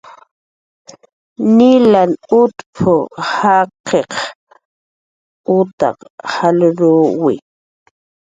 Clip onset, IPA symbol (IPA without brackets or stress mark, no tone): n